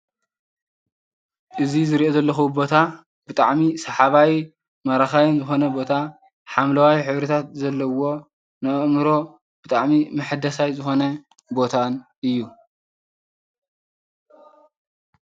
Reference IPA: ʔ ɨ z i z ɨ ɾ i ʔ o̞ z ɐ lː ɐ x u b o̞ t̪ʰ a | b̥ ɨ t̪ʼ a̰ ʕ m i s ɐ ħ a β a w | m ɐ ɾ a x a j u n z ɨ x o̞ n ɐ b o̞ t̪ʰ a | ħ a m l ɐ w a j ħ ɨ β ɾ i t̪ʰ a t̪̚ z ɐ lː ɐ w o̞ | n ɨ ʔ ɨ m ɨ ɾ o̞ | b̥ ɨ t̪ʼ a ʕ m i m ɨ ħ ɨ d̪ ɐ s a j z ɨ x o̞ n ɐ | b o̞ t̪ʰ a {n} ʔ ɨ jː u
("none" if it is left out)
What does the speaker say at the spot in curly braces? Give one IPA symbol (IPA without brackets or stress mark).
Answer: n